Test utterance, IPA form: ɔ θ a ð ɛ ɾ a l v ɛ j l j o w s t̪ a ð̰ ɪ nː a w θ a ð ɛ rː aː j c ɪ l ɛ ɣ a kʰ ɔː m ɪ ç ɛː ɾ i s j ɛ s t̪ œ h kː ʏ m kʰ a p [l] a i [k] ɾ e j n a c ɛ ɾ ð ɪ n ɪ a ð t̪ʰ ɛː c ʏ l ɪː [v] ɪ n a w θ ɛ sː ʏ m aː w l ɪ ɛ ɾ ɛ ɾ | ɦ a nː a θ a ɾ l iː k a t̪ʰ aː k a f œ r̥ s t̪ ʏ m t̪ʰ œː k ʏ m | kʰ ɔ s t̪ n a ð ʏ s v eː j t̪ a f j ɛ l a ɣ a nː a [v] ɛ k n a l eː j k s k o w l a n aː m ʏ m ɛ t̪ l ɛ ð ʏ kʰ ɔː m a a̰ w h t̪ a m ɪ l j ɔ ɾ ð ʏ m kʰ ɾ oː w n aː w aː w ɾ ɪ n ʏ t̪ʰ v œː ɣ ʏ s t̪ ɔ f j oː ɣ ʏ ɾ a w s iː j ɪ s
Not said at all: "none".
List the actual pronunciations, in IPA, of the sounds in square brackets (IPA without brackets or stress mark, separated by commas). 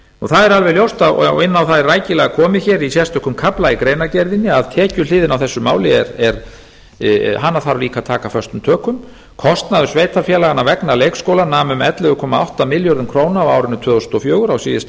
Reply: l, k, ð, v